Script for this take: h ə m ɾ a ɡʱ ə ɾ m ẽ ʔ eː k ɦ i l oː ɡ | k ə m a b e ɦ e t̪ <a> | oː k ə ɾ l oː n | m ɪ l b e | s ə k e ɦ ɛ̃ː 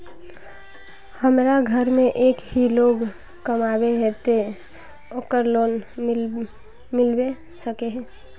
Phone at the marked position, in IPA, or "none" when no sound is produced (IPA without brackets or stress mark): e